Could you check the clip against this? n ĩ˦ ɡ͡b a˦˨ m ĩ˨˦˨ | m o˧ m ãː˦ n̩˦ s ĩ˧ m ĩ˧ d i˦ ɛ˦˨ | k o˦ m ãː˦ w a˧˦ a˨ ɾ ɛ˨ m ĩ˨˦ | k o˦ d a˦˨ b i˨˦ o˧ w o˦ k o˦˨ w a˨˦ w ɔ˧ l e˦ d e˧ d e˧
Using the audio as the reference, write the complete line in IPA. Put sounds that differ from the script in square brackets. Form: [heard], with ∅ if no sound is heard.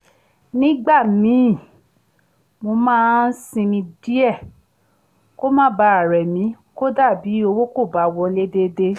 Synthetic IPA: n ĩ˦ ɡ͡b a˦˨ m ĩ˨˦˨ | m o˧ m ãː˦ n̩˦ s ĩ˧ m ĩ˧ d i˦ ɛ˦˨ | k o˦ m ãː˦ [b] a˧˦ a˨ ɾ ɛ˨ m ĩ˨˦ | k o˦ d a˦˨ b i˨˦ o˧ w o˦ k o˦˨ [b] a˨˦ w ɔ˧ l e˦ d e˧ d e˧